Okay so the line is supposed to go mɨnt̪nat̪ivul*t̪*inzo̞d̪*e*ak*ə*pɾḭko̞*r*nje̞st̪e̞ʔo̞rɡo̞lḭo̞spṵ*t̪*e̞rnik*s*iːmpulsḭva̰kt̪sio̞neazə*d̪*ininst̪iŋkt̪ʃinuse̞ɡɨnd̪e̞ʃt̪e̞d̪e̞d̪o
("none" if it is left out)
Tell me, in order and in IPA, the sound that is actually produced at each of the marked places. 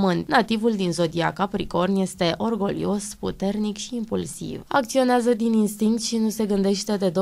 d̪, i, a, r, t̪, ʃ, d̪

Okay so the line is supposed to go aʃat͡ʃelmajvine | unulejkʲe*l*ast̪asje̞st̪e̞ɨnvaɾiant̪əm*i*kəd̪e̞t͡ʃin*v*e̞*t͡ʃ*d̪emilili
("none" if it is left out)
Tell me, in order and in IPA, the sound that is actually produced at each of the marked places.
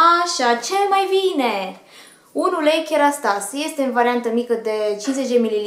ɾ, i, z, t͡ʃ

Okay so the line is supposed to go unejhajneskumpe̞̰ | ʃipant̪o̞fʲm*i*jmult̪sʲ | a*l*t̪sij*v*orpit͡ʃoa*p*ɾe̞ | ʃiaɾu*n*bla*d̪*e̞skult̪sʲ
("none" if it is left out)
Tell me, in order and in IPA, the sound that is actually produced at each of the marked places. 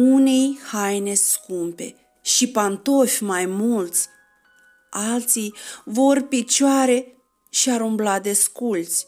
a, l, v, none, m, d̪

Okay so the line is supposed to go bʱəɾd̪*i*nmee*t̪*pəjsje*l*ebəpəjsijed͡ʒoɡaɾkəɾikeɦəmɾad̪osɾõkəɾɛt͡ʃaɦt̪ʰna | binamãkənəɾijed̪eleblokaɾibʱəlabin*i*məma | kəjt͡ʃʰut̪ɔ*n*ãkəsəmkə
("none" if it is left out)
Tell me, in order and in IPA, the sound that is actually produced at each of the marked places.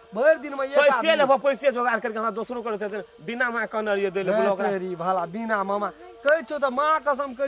i, none, l, a, m

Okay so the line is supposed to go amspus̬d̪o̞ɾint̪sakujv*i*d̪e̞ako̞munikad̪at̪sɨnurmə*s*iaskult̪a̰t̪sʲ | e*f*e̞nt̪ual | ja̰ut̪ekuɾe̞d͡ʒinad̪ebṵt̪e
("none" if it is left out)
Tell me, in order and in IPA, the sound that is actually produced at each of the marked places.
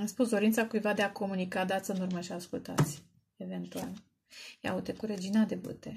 a, ʃ, v

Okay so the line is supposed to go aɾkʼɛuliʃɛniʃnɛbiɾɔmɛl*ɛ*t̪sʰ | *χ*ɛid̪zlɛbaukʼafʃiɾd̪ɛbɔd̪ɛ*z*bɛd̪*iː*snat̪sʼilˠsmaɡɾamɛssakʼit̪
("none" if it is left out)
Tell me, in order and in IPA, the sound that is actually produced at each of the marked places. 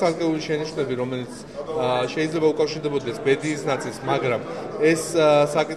i, ʃ, s, iː

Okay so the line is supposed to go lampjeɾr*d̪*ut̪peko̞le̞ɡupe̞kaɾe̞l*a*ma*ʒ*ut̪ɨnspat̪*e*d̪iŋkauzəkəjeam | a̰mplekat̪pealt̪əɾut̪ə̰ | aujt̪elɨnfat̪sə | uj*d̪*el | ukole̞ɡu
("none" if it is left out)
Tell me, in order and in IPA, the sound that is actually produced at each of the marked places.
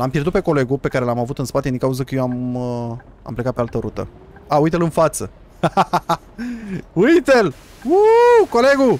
d̪, a, v, e, t̪

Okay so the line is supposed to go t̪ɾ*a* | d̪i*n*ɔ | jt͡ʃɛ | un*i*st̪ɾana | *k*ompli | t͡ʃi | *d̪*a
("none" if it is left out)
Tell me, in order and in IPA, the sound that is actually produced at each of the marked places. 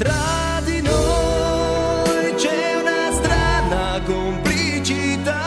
a, n, a, k, t̪

